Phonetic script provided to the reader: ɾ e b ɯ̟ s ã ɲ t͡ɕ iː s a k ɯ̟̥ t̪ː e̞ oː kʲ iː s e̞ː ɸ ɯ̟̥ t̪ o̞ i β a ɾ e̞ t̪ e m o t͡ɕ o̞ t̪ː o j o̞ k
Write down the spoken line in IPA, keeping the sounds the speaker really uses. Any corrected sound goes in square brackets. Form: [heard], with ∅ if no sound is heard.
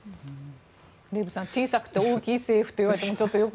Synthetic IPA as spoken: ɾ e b ɯ̟ s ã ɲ t͡ɕ iː s a k ɯ̟̥ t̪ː e̞ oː kʲ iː s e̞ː ɸ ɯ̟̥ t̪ o̞ i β a ɾ e̞ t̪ e m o t͡ɕ o̞ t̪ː o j o̞ k